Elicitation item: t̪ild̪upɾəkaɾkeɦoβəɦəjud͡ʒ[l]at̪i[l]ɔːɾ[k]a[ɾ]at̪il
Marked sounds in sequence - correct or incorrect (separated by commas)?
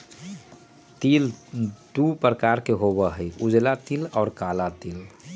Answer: correct, correct, correct, incorrect